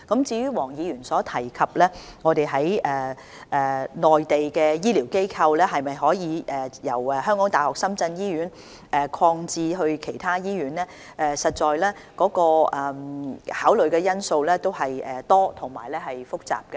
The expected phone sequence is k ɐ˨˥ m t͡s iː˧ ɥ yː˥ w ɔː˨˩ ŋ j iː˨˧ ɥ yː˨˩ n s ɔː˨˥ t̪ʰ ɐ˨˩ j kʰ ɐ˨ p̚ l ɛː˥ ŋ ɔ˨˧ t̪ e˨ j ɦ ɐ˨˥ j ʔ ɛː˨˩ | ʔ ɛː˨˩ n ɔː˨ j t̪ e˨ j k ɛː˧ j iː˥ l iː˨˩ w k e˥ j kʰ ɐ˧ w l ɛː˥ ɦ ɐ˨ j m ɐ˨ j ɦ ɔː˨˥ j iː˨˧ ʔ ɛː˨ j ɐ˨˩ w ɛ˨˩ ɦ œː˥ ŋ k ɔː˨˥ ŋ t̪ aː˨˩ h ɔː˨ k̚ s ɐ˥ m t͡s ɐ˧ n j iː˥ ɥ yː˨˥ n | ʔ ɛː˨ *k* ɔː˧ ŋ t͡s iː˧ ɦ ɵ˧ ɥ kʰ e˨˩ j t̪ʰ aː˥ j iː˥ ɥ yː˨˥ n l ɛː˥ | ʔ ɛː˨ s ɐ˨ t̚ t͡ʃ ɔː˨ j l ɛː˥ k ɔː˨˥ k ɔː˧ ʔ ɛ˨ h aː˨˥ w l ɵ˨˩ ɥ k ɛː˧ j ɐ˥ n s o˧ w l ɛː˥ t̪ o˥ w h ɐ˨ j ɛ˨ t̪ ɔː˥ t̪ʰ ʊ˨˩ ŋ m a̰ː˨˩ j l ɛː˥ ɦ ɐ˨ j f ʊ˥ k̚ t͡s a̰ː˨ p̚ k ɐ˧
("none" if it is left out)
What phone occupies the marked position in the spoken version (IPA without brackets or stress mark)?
kʰ